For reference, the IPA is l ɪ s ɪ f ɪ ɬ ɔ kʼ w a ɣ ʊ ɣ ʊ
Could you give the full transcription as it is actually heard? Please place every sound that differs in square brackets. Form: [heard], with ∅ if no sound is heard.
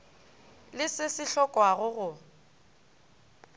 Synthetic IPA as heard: l ɪ s ɪ [s] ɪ ɬ ɔ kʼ w a ɣ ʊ ɣ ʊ